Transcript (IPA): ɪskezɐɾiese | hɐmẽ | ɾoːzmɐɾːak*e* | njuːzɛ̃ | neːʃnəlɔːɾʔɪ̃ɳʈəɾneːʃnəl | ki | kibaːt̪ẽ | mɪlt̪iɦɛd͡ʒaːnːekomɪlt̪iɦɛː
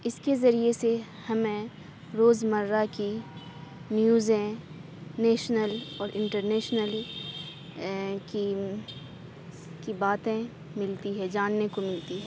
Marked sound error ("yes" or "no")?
yes